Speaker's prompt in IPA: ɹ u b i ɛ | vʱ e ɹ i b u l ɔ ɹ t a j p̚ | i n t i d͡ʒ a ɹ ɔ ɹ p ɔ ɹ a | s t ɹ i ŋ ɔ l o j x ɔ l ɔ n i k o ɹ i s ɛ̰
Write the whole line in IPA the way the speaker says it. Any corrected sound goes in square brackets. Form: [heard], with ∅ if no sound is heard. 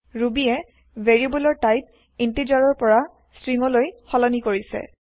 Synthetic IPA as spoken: ɹ u b i ɛ | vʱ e ɹ i b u l ɔ ɹ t a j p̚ | i n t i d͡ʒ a ɹ ɔ ɹ p ɔ ɹ a | s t ɹ i ŋ ɔ l o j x ɔ l ɔ n i k o ɹ i s ɛ̰